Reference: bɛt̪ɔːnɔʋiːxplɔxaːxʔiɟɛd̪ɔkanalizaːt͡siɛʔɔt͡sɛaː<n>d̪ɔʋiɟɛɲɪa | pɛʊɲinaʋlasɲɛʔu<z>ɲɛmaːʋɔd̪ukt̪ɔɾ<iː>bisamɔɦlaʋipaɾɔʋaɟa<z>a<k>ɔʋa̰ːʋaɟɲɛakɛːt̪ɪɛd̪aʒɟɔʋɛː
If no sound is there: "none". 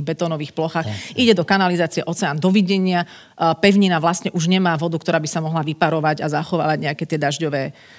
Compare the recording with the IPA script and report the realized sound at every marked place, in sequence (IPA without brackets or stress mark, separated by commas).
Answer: n, ʒ, aː, z, x